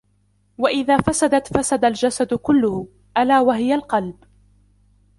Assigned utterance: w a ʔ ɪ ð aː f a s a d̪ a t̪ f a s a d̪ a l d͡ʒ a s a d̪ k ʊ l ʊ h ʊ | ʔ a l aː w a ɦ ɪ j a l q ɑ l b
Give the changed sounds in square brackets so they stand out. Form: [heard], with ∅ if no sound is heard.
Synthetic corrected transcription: w a ʔ ɪ ð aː f a s a d̪ a t̪ f a s a d̪ a l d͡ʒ a s a d̪ k ʊ [lː] ʊ h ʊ | ʔ a l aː w a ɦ ɪ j a l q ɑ l b